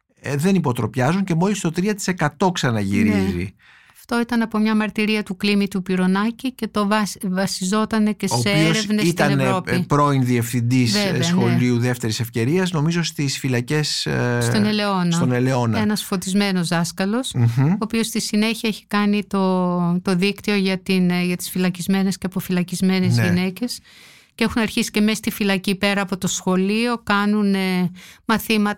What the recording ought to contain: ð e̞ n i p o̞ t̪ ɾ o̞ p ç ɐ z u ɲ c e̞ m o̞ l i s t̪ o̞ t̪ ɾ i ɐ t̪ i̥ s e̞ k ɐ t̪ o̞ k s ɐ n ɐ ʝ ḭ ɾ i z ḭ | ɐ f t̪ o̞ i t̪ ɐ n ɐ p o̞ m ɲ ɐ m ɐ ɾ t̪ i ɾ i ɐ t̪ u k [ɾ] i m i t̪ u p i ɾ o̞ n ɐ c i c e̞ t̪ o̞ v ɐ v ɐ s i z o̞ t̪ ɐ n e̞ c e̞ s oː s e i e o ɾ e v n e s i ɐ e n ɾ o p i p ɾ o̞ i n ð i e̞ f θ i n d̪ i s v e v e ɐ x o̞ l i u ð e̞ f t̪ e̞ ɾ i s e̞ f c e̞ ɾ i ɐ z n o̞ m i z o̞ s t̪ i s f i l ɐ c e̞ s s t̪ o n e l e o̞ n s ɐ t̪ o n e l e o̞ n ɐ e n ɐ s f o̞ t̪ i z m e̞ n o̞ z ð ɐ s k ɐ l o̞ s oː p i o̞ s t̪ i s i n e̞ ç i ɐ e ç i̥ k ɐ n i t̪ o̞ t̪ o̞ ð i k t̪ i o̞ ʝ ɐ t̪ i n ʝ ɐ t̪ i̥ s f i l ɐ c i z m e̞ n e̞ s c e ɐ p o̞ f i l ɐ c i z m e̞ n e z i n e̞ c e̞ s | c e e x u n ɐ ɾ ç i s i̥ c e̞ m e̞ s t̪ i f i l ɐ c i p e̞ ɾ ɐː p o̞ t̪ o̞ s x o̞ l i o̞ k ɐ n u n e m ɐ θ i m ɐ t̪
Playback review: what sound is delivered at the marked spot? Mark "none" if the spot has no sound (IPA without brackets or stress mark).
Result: l